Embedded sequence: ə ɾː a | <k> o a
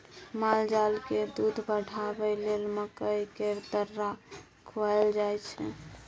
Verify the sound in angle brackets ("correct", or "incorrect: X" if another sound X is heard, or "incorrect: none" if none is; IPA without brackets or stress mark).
incorrect: kʰ